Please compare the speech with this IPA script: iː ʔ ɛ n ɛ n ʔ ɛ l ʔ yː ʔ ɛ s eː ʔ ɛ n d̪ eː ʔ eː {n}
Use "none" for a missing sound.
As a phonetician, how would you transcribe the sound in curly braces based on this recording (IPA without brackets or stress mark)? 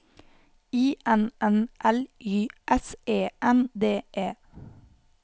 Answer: none